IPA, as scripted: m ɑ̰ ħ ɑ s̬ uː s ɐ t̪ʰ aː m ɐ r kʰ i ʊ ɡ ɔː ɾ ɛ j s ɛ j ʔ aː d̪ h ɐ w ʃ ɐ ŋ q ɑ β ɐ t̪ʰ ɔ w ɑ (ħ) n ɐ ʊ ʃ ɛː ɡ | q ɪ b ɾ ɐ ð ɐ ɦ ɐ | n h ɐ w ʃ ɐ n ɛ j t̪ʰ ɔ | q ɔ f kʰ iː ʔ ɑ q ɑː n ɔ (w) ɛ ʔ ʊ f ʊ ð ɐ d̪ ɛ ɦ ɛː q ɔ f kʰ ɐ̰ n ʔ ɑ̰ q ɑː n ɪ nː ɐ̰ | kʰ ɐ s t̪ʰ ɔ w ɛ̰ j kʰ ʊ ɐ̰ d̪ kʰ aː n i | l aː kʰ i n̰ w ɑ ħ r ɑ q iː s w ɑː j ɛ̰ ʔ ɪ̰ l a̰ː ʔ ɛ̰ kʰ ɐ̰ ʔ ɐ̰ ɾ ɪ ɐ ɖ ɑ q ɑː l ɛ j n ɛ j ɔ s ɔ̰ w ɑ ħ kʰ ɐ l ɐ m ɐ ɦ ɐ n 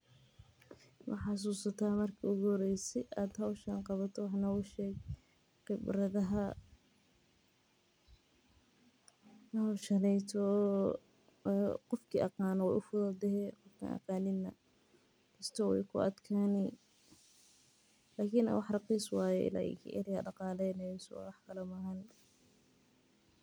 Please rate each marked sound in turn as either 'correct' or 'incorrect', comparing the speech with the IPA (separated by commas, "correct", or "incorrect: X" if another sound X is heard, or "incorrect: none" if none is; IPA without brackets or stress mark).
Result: correct, correct